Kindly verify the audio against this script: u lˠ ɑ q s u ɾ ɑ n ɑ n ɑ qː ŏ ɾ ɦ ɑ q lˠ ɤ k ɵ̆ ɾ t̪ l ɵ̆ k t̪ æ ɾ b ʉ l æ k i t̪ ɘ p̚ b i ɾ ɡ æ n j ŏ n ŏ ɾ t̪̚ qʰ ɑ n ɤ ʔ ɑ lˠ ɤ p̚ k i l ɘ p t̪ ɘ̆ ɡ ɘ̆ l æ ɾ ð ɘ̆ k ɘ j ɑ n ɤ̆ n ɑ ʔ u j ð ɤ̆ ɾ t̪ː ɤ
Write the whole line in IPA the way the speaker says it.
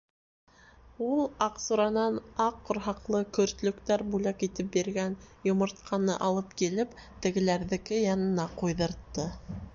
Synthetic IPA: u lˠ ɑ q s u ɾ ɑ n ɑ n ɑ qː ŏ ɾ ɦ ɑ q lˠ ɤ k ɵ̆ ɾ t̪ l ɵ̆ k t̪ æ ɾ b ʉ l æ k i t̪ ɘ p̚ b i ɾ ɡ æ n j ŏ m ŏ ɾ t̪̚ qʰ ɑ n ɤ ʔ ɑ lˠ ɤ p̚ k i l ɘ p t̪ ɘ̆ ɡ ɘ̆ l æ ɾ ð ɘ̆ k ɘ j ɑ n ɤ̆ n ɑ q u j ð ɤ̆ ɾ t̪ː ɤ